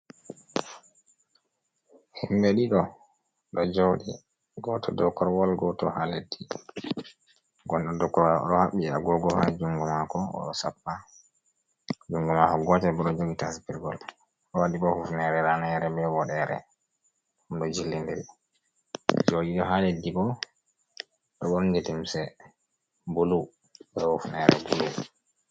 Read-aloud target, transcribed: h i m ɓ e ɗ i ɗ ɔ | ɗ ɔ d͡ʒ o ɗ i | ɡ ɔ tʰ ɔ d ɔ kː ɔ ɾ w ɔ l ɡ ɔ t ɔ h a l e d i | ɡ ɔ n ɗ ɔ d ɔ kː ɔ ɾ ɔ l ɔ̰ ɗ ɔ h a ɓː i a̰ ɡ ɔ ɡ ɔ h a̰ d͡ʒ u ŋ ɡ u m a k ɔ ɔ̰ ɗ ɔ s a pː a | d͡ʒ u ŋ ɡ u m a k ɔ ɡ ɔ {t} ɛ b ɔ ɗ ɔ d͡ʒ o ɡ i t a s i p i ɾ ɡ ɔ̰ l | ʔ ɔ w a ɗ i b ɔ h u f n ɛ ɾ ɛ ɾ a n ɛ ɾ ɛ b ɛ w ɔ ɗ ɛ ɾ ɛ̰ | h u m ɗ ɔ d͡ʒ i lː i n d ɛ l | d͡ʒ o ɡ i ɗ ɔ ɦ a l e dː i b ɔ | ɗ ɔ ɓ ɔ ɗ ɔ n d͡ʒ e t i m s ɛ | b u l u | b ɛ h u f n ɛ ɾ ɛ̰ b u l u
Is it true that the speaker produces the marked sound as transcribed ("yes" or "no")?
yes